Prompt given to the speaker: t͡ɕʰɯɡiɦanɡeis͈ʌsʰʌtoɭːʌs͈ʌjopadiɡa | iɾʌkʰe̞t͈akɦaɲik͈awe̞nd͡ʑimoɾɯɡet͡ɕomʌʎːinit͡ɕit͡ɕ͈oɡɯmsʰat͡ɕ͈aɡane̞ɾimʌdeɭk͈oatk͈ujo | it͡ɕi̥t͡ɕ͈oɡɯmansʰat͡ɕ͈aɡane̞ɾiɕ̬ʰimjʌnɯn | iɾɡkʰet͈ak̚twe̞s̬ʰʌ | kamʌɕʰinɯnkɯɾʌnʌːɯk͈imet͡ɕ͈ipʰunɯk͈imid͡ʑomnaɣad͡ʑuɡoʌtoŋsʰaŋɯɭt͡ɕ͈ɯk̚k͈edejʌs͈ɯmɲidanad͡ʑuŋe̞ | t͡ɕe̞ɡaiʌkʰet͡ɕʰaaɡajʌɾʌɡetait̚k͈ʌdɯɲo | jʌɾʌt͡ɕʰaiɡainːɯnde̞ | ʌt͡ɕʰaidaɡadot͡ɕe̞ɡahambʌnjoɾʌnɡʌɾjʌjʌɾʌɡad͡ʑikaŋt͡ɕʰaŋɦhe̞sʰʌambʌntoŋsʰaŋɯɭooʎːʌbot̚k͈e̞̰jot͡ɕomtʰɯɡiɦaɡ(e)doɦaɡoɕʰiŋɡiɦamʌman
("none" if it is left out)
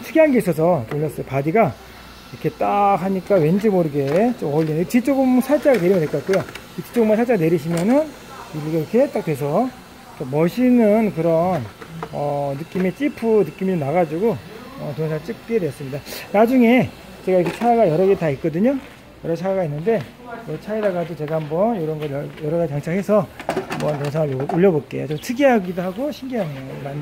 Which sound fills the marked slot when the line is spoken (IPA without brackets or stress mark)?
i